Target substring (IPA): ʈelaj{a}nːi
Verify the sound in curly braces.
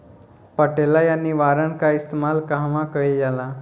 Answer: correct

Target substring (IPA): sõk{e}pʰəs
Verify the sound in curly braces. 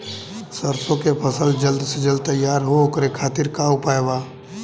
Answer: correct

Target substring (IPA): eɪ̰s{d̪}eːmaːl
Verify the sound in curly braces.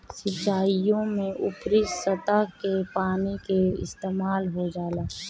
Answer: incorrect: t̪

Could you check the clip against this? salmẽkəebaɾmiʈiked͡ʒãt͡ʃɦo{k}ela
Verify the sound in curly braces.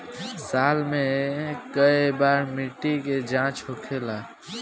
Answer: incorrect: kʰ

